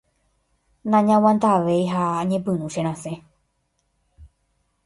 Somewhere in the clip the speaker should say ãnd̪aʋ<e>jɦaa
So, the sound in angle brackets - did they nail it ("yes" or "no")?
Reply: yes